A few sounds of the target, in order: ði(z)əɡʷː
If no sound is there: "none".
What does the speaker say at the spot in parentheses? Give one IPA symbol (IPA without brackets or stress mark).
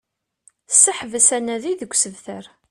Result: ð